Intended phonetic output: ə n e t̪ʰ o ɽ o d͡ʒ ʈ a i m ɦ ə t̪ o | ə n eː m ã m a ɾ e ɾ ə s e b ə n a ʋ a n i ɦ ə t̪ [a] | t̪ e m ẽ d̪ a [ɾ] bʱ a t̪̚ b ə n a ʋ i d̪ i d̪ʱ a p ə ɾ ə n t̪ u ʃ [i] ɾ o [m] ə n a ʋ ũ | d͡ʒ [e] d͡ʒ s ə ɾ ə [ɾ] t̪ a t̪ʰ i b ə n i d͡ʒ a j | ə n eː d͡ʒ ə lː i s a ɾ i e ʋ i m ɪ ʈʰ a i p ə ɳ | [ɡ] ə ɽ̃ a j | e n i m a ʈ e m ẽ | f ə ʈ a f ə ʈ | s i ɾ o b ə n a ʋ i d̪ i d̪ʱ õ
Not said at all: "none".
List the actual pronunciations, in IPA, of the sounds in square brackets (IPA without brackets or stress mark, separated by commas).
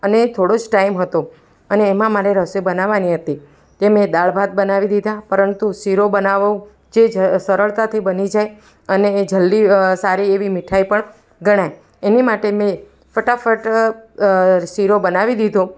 i, ɭ, i, b, e, ɭ, ɡ